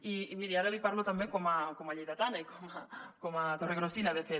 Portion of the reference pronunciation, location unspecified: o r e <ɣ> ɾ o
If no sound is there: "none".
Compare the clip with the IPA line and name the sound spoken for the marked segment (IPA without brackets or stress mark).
ɣ